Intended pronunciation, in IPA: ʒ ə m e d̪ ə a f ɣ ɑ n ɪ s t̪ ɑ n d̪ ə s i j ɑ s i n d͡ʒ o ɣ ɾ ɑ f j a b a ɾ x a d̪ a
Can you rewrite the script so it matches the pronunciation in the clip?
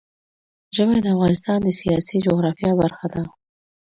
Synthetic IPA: ʒ ə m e d̪ ə a f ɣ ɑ n ɪ s t̪ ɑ n d̪ ə s i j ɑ s i d͡ʒ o ɣ ɾ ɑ f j ɑ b a ɾ x a d̪ a